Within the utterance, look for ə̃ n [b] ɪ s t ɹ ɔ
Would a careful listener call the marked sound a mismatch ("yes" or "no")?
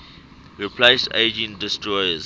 yes